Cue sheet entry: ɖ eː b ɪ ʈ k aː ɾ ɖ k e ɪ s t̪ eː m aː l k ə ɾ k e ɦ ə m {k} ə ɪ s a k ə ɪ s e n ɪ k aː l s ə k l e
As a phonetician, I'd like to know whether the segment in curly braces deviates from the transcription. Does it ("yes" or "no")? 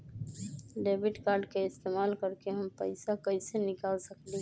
yes